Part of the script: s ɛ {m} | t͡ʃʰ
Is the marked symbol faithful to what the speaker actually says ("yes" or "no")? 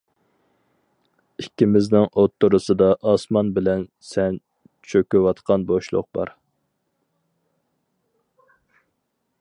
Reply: no